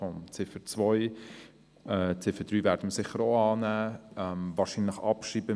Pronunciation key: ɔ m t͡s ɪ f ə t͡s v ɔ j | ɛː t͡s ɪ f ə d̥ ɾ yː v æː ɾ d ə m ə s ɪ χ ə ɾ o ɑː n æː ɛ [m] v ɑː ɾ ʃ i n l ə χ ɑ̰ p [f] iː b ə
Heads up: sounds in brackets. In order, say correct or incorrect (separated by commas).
correct, incorrect